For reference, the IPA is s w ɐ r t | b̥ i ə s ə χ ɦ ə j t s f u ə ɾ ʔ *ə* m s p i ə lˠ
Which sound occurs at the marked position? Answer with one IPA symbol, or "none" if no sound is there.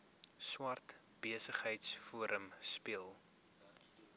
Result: ə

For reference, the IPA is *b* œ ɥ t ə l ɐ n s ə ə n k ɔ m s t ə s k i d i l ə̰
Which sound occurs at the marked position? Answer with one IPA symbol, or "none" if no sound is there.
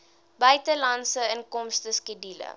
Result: b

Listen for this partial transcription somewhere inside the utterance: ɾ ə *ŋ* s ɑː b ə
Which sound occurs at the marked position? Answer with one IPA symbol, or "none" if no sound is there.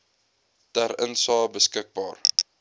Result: n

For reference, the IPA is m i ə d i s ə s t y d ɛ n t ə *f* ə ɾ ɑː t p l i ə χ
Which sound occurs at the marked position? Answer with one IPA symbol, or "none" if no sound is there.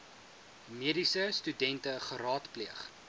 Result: χ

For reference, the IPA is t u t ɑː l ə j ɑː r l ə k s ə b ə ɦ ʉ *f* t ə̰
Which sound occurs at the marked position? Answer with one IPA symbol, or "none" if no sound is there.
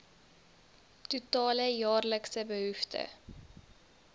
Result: f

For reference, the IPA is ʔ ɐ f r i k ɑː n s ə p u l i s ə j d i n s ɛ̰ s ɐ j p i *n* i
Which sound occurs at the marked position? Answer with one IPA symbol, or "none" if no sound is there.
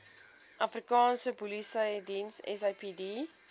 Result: d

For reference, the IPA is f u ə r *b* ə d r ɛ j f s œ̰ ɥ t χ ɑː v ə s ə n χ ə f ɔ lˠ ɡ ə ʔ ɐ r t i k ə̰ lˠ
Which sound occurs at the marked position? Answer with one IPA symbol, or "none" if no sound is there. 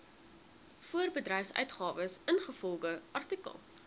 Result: b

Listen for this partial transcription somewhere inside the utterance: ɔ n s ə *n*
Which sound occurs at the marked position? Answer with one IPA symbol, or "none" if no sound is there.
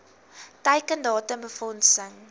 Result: ŋ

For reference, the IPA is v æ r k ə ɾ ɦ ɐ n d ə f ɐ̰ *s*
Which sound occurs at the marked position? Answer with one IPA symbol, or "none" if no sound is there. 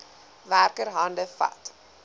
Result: t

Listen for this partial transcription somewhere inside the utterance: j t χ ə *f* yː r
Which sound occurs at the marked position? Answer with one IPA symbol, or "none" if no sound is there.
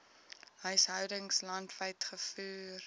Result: f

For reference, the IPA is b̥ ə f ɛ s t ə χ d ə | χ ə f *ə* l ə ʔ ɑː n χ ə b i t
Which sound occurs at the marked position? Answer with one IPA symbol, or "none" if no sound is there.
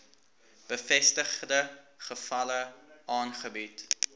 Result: ɐ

